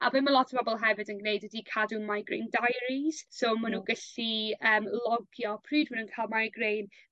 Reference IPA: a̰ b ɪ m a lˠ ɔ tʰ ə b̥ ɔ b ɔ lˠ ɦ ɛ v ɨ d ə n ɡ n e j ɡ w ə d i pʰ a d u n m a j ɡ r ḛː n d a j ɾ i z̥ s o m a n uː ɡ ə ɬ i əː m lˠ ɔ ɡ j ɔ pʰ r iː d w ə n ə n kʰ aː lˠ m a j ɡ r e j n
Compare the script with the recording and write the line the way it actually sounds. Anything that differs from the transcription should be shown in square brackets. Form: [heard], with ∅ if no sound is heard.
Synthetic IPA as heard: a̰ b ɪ m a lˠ ɔ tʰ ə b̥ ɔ b ɔ lˠ ɦ ɛ v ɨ d ə n ɡ n e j [d] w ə d i [kʰ] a d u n m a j ɡ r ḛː n d a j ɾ i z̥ s o m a n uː ɡ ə ɬ i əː m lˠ ɔ ɡ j ɔ pʰ r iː d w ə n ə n kʰ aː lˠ m a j ɡ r e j n